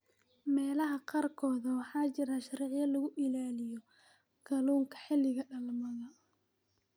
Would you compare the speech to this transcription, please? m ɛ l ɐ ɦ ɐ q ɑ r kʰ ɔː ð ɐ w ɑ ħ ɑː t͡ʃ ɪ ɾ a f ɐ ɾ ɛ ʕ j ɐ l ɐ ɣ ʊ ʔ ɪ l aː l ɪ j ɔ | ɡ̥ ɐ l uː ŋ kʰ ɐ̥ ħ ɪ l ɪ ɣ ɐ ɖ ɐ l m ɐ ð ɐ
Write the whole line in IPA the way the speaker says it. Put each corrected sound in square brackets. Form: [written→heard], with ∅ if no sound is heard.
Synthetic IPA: m [ɛ→ɛː] l ɐ ɦ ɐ q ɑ r kʰ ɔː ð ɐ w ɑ ħ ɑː t͡ʃ ɪ ɾ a [f→ʃ] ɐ ɾ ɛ ʕ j ɐ l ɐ ɣ ʊ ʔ ɪ l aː l ɪ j ɔ | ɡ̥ ɐ l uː ŋ kʰ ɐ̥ ħ ɪ l ɪ ɣ ɐ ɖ ɐ l m ɐ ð ɐ